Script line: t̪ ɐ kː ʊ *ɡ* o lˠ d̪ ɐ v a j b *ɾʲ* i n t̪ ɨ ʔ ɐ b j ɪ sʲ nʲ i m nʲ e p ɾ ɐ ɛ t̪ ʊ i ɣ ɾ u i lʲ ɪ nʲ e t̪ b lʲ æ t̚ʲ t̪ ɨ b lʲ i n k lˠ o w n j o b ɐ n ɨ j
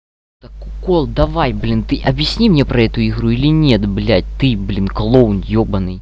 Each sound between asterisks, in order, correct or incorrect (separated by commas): incorrect, incorrect